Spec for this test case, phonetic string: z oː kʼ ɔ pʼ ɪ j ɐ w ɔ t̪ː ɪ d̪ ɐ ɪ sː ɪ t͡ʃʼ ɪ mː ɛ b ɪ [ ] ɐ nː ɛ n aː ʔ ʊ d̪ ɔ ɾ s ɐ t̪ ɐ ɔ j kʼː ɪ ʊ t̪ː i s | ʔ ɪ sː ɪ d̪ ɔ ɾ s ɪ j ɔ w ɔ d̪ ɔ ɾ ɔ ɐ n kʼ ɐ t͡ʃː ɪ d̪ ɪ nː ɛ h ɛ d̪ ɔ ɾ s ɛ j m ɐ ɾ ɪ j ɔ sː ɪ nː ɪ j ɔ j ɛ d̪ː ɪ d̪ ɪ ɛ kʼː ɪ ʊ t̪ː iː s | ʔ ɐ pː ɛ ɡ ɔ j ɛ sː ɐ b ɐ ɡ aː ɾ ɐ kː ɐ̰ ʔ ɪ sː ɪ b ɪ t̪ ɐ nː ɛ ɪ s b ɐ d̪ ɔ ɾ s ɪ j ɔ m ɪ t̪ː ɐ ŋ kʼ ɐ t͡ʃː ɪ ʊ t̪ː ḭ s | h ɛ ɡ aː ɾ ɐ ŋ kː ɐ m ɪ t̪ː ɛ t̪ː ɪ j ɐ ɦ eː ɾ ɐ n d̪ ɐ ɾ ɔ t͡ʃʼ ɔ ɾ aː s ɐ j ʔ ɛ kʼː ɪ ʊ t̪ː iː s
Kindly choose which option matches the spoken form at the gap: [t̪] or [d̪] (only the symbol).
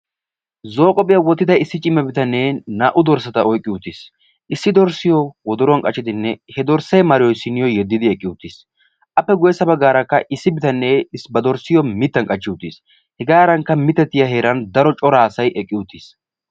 t̪